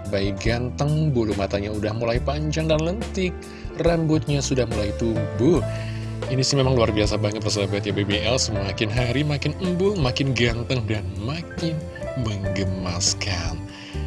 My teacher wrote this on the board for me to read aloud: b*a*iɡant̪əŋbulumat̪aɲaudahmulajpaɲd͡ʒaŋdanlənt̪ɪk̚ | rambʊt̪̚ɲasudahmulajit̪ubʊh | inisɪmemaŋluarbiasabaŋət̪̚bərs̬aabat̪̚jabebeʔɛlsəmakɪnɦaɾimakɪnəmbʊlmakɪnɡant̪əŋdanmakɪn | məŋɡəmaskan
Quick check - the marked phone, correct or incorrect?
correct